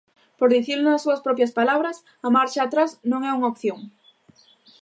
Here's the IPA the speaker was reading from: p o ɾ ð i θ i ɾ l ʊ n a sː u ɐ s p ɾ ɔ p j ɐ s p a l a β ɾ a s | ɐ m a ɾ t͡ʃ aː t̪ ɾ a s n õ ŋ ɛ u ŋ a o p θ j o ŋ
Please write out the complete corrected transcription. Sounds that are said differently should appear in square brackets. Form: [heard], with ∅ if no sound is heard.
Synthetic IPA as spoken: p o ɾ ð i θ i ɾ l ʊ n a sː u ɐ s p ɾ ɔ p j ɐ s p a l a β ɾ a s | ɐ m a ɾ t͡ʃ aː t̪ ɾ a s n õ ŋ ɛ u ŋ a o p θ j o ŋ